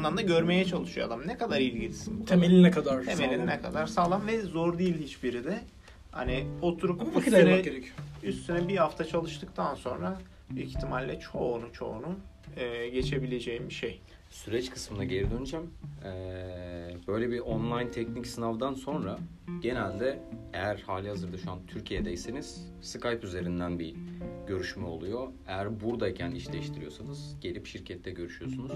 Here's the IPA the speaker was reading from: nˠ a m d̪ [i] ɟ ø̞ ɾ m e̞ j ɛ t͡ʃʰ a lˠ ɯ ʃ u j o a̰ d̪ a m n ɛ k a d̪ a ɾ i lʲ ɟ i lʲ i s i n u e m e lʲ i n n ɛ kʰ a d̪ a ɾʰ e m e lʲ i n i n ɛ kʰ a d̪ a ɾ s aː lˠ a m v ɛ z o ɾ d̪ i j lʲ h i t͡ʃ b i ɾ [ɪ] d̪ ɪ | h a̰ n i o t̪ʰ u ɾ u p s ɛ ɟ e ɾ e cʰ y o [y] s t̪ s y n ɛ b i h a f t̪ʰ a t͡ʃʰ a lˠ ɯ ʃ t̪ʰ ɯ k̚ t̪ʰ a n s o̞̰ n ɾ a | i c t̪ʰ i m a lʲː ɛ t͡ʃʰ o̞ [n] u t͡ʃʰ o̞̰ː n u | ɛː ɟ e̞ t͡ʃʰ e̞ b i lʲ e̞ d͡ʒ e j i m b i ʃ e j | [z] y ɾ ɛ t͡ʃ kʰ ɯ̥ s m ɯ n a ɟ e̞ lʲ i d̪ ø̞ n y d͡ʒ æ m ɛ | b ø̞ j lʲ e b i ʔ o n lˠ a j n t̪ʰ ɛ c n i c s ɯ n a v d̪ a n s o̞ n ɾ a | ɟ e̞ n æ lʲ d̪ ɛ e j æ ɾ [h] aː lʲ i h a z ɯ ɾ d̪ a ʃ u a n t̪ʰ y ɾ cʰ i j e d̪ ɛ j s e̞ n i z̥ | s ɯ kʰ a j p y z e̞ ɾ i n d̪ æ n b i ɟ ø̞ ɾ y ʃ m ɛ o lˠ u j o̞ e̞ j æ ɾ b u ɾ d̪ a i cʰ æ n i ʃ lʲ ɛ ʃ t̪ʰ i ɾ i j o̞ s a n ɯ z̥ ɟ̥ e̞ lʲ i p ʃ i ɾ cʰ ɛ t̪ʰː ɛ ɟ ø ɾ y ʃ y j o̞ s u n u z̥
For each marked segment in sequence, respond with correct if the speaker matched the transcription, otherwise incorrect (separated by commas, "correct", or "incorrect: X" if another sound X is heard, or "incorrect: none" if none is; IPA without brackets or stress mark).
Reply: incorrect: a, incorrect: i, correct, correct, incorrect: s, correct